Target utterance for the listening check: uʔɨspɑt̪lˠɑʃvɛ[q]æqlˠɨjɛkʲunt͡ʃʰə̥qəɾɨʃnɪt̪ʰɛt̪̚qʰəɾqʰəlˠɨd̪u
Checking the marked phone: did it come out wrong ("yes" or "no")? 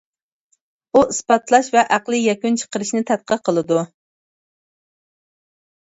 yes